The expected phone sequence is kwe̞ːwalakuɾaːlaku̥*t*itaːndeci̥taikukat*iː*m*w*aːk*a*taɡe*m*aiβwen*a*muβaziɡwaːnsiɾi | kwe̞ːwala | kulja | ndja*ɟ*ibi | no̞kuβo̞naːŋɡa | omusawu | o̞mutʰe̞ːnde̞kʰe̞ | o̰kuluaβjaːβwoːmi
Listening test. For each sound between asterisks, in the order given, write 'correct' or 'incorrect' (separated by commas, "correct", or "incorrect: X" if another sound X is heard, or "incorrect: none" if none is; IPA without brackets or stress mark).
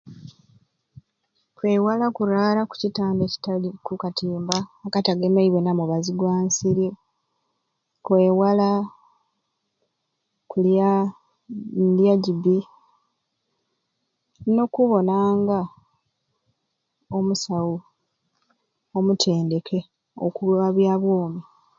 incorrect: c, correct, incorrect: b, correct, correct, correct, correct